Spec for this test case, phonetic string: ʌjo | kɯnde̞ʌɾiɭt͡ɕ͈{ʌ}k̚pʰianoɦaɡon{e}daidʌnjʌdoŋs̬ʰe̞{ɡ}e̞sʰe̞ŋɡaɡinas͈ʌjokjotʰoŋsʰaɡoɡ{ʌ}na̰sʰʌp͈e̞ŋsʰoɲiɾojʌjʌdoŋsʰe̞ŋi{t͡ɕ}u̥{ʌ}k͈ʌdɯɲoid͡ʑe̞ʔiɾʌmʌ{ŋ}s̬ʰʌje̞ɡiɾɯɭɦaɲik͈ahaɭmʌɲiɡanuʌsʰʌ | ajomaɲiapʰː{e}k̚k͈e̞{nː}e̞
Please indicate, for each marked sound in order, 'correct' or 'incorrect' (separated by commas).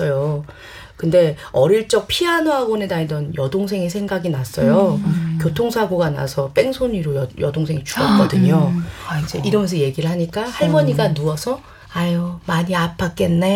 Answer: correct, correct, incorrect, incorrect, correct, correct, incorrect, incorrect, correct